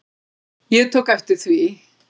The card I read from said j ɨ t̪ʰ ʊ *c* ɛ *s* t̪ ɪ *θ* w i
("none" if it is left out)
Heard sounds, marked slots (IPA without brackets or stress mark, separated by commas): k, f, θ